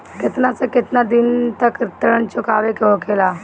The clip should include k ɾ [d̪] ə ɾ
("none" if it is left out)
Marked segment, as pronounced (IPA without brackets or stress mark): t̪